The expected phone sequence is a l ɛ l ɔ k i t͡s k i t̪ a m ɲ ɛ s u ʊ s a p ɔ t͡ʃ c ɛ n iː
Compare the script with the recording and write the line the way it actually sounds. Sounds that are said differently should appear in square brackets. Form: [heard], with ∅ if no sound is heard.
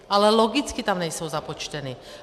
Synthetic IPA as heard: a l ɛ l ɔ [ɡ] i t͡s k i t̪ a m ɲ ɛ s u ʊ [z] a p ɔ t͡ʃ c ɛ n iː